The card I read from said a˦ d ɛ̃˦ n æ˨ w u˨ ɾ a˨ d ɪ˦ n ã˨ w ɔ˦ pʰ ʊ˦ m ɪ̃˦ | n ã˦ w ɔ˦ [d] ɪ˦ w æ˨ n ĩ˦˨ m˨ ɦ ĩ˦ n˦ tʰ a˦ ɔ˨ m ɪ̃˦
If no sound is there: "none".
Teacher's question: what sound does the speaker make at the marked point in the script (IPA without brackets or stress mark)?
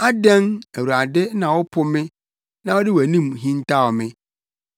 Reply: d